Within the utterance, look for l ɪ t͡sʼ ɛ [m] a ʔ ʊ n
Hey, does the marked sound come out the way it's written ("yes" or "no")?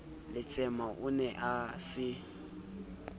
yes